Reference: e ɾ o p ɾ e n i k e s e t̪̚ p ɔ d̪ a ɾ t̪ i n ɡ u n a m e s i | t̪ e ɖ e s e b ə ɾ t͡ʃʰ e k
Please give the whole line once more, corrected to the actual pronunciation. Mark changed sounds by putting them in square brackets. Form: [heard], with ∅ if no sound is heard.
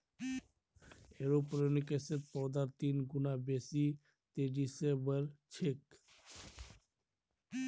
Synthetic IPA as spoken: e ɾ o p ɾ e n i k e s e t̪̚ p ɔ d̪ a ɾ t̪ i n ɡ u n a [b] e s i | t̪ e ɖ [i] s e b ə ɾ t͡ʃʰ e k

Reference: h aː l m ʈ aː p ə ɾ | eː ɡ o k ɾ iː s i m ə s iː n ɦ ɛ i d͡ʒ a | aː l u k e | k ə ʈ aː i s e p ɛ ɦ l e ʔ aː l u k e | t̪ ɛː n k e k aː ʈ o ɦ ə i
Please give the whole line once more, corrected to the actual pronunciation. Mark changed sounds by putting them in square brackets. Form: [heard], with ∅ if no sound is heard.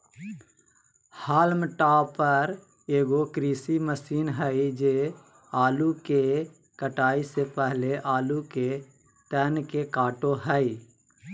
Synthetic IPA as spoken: h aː l m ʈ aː p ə ɾ | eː ɡ o k ɾ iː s i m ə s iː n ɦ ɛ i d͡ʒ [e] | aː l u k e | k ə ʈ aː i s e p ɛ ɦ l e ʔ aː l u k e | t̪ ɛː n k e k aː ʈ o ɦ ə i

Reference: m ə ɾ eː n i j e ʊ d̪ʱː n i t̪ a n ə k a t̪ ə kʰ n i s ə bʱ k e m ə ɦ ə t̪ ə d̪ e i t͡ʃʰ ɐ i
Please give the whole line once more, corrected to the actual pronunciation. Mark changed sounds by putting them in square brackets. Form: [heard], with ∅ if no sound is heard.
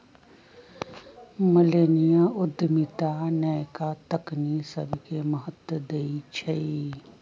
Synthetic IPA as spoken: m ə [l] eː n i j [a] ʊ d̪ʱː [m] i t̪ a n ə k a t̪ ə [k] n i s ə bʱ k e m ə ɦ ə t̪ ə d̪ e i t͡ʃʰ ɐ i

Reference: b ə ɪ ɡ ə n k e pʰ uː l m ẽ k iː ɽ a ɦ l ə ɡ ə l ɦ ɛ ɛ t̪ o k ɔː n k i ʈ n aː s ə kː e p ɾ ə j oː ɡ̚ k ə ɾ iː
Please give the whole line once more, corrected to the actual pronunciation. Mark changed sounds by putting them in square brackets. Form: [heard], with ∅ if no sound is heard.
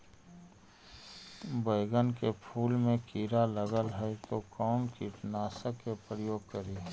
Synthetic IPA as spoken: b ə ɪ ɡ ə n k e pʰ uː l m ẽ k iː [ɾ] a [∅] l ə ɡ ə l ɦ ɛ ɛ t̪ o k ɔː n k i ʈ n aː s ə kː e p ɾ ə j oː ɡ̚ k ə ɾ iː

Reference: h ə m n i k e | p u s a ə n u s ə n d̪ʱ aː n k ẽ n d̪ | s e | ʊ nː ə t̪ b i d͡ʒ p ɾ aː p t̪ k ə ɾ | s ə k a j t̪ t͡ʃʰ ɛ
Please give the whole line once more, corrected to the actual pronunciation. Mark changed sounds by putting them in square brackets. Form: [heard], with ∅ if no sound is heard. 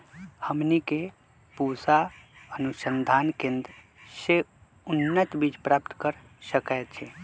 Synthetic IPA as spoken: h ə m n i k e | p u s a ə n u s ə n d̪ʱ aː n k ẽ n d̪ | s e | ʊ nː ə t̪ b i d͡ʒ p ɾ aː p t̪ k ə ɾ | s ə k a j t̪ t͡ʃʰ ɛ

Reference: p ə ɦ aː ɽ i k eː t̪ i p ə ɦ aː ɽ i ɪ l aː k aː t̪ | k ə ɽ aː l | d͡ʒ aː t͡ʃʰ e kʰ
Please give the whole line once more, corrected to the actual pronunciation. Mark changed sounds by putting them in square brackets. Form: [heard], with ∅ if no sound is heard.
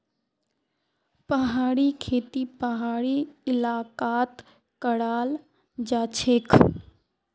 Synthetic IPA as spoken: p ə ɦ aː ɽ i [kʰ] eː t̪ i p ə ɦ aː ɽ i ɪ l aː k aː t̪ | k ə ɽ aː l | d͡ʒ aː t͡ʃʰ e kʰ

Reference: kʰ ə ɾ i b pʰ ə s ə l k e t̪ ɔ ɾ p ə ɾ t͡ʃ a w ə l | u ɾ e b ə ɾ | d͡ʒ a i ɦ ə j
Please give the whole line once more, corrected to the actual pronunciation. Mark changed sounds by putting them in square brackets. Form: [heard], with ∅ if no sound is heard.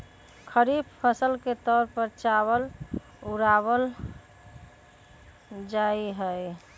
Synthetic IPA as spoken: kʰ ə ɾ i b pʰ ə s ə l k e t̪ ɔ ɾ p ə ɾ t͡ʃ a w ə l | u ɾ [a] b ə [l] | d͡ʒ a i ɦ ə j

